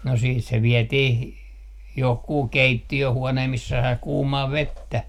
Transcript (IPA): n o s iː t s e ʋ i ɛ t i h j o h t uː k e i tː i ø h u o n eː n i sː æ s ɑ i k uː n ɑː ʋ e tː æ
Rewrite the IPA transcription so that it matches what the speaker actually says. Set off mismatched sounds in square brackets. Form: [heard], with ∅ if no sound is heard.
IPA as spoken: n o s iː t s e ʋ i ɛ t i h j o h [k] uː k e i tː i ø h u o n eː [m] i sː æ s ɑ i k uː [m] ɑː ʋ e tː æ